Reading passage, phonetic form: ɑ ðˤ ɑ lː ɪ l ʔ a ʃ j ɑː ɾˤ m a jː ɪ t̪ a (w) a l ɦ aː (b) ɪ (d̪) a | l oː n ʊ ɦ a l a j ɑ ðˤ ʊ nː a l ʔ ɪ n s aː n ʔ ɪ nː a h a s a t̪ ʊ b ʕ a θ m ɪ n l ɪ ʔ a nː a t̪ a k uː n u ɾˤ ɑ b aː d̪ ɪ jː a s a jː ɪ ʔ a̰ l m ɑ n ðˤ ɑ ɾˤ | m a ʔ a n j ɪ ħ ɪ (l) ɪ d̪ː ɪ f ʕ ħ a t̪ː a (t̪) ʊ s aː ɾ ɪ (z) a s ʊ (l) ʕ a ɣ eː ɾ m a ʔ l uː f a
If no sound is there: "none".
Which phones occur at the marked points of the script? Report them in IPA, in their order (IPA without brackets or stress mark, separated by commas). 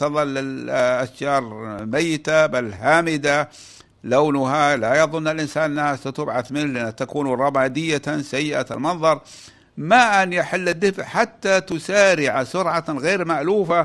b, m, d̪, lː, t̪, ʕ, ɾ